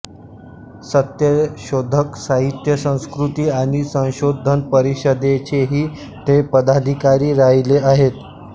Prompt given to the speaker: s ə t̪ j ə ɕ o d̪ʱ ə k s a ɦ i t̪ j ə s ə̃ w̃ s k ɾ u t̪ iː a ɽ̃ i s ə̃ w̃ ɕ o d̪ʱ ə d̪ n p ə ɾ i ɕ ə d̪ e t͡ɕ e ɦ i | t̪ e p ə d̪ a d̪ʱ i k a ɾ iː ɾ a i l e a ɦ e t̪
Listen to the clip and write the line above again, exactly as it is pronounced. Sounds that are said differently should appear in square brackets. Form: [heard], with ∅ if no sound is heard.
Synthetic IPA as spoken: s ə t̪ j ə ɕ o d̪ʱ ə k s a ɦ i t̪ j ə s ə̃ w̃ s k ɾ u t̪ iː a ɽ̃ i s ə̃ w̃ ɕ o d̪ʱ ə [∅] n p ə ɾ i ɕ ə d̪ e t͡ɕ e ɦ [iː] | t̪ e p ə d̪ a d̪ʱ i k a ɾ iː ɾ a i l e a ɦ e t̪